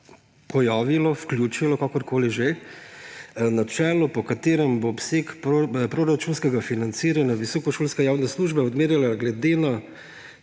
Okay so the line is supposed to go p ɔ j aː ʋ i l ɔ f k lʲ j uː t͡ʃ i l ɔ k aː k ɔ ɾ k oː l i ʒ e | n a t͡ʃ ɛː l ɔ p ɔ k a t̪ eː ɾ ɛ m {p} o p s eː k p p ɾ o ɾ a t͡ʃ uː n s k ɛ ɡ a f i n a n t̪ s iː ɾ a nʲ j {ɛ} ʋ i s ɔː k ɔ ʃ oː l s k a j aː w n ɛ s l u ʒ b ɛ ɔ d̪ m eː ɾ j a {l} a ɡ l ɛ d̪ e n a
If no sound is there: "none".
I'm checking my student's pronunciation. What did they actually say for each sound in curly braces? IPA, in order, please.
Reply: b, a, l

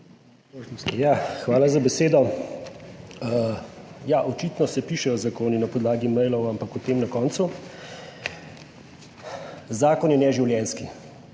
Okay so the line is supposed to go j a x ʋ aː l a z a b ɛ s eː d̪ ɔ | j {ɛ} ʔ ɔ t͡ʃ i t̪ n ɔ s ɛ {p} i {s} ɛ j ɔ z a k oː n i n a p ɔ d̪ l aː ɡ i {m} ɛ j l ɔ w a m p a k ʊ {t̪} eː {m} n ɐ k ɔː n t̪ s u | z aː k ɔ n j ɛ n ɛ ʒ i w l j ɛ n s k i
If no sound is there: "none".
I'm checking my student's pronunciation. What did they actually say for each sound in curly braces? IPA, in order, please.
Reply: a, p, ʃ, m, t̪, m

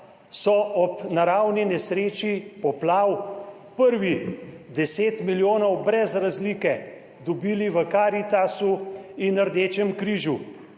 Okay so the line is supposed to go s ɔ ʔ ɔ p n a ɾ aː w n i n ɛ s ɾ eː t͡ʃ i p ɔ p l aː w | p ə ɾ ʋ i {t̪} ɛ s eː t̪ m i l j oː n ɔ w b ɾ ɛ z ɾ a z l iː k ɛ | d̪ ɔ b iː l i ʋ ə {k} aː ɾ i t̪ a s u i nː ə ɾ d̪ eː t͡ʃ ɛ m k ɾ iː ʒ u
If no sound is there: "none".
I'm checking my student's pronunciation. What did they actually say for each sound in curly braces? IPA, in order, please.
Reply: d̪, k

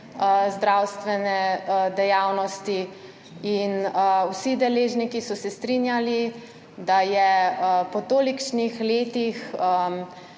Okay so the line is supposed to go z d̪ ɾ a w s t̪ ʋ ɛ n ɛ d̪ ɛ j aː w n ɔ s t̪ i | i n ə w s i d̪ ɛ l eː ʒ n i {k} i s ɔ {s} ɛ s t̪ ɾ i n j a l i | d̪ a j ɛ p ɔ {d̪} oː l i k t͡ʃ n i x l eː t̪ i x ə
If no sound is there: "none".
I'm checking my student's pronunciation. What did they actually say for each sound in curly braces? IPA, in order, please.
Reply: k, s, t̪

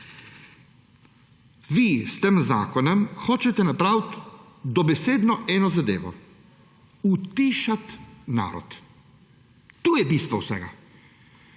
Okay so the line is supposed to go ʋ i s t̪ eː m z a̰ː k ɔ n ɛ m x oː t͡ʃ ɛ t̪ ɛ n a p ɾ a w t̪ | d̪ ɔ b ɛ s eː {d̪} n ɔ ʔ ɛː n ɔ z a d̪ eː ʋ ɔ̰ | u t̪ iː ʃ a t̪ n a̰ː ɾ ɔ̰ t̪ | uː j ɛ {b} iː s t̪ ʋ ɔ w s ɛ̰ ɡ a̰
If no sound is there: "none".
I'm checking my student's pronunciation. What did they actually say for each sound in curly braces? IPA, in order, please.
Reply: d̪, b

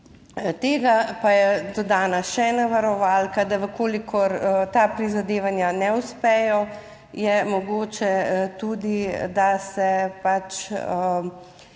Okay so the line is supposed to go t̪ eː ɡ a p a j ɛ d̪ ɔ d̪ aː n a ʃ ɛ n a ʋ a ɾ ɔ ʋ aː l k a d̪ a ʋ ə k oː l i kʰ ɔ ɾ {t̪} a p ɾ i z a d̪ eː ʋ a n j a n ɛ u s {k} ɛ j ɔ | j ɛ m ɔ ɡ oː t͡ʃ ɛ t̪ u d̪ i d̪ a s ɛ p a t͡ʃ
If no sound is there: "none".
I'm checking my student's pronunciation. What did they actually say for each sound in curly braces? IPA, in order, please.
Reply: t̪, p

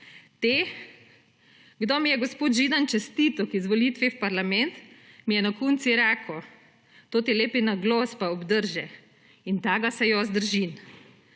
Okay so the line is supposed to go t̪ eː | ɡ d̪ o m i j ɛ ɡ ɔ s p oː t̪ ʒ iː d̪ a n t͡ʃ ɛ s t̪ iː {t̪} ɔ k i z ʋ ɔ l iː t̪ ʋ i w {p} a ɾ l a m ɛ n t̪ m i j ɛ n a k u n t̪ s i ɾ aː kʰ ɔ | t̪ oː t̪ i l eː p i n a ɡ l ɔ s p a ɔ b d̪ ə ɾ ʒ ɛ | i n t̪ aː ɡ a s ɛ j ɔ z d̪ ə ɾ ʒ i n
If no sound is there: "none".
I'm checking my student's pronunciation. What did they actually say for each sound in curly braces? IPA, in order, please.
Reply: t̪, p

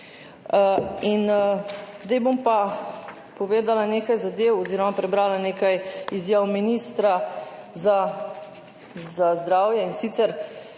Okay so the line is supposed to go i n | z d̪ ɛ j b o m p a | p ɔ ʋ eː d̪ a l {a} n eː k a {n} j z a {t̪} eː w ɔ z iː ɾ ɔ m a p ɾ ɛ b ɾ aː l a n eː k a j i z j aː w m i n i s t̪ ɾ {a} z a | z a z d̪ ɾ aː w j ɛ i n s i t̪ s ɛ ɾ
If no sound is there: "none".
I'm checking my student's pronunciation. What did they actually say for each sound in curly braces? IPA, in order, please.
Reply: a, none, d̪, a

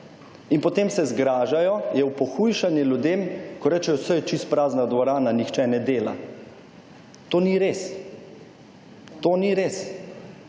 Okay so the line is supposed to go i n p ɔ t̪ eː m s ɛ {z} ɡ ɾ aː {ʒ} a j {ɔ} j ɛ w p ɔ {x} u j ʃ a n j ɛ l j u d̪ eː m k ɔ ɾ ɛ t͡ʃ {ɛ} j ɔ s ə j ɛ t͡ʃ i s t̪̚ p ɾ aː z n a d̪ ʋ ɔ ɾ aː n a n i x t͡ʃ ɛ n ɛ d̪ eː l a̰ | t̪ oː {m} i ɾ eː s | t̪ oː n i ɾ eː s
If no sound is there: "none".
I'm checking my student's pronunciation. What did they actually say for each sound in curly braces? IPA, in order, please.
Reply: z, ʒ, ɔ, x, ɛ, n

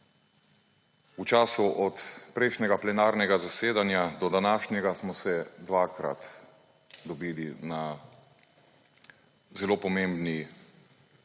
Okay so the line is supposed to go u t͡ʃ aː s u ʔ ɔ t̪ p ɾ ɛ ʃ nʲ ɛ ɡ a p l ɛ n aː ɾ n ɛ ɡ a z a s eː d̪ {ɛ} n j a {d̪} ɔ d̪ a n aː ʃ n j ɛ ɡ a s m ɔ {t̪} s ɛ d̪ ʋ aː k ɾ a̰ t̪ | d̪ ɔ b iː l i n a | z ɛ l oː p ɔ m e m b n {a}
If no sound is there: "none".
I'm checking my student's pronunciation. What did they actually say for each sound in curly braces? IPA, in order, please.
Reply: a, d̪, none, i

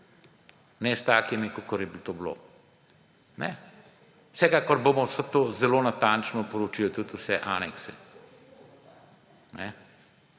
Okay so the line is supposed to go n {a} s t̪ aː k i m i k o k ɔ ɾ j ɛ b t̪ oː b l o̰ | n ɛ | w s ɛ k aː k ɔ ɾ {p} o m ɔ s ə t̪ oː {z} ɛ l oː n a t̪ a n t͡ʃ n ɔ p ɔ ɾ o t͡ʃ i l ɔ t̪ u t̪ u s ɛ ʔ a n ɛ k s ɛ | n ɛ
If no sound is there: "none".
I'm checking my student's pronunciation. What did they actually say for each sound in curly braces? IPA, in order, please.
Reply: ɛ, b, z

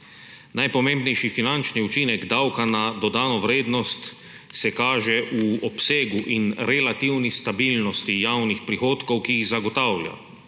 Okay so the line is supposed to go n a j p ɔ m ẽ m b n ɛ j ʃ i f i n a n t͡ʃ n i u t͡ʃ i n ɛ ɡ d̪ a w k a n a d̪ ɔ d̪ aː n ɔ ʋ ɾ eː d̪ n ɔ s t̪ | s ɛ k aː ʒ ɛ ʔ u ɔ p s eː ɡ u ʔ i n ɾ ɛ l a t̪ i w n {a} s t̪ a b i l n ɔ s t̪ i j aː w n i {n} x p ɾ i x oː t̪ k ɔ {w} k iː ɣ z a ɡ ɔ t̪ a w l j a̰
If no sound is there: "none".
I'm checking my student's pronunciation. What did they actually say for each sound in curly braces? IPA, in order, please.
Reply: i, none, w

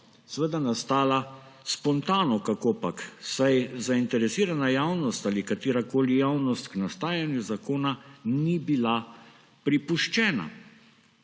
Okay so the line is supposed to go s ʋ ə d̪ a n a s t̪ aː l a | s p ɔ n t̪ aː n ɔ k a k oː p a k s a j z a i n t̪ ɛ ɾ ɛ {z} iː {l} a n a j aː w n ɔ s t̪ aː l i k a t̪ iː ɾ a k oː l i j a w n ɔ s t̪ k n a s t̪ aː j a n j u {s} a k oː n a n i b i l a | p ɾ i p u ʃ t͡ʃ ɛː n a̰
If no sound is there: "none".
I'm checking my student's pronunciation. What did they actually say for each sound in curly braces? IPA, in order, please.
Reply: s, ɾ, z

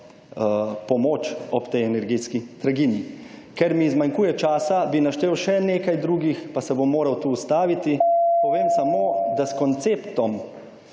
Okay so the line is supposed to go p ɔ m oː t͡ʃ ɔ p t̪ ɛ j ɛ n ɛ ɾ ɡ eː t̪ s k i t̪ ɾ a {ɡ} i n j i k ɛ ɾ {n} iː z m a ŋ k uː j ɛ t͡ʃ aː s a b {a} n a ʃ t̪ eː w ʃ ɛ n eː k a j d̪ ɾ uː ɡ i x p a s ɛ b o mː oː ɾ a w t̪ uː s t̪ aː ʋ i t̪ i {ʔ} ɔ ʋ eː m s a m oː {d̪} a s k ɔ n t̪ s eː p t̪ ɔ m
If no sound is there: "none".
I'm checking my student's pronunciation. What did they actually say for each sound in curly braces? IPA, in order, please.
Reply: ɡ, m, i, p, d̪

